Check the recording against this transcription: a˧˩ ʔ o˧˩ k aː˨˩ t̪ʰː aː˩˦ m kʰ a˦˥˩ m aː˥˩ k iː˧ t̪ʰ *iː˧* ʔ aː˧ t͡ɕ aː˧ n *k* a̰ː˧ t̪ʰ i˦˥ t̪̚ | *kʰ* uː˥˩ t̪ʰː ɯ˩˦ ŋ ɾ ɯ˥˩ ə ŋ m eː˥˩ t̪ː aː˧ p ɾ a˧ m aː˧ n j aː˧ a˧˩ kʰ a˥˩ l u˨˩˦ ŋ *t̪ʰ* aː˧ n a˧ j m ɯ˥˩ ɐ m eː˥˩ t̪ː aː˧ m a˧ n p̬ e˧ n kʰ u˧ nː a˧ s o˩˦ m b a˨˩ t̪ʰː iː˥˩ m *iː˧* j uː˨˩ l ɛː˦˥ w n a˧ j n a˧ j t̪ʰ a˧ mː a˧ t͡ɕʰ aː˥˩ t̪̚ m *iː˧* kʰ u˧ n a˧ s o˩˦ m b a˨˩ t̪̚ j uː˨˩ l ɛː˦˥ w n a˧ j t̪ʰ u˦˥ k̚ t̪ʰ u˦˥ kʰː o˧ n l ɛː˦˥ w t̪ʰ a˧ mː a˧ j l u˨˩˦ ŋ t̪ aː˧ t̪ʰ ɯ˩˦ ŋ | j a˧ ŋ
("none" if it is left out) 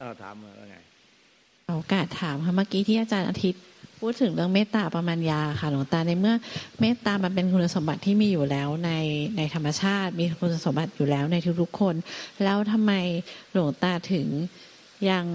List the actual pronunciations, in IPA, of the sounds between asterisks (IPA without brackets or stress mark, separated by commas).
iː˥˩, ʔ, pʰ, t̪, iː˧, iː˧